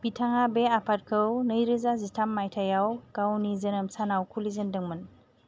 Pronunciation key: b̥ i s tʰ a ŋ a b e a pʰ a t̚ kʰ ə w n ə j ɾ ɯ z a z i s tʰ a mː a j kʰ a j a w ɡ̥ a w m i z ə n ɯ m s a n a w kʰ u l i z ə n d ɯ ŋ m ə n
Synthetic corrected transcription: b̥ i tʰ a ŋ a b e a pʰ a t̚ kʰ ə w n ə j ɾ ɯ z a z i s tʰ a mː a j tʰ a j a w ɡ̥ a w n i z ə n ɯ m s a n a w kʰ u l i z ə n d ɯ ŋ m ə n